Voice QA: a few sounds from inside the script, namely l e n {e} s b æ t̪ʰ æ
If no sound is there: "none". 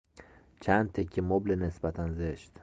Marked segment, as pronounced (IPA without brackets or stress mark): e